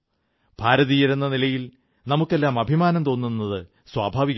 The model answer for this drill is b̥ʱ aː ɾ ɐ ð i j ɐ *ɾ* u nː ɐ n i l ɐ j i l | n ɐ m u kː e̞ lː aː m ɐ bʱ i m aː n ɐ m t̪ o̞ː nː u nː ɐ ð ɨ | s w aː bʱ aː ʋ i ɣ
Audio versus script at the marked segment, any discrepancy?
no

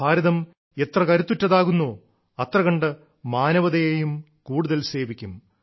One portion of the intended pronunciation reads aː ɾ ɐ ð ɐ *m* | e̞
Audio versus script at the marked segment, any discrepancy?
no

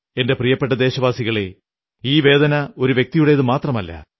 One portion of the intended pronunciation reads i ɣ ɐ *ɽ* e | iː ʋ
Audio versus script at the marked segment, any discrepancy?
yes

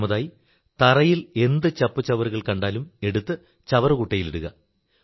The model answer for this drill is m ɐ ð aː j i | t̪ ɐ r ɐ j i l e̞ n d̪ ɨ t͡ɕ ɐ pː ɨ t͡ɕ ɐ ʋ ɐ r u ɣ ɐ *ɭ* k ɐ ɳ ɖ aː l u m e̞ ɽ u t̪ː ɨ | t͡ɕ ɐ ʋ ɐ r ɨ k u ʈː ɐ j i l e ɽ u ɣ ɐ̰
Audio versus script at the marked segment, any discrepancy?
no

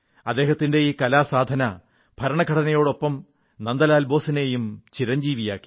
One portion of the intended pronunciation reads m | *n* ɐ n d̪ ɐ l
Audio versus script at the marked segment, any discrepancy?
no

